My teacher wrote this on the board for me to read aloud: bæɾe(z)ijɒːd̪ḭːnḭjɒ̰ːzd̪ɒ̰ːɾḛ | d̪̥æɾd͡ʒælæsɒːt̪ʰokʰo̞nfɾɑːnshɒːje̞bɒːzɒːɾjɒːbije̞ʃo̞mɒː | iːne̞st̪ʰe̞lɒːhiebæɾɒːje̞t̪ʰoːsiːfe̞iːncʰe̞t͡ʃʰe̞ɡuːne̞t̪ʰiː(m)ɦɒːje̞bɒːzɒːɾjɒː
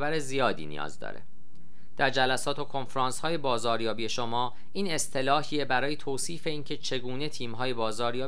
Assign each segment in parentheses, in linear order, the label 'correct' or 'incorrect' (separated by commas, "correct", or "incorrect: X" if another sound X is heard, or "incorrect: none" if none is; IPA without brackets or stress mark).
correct, correct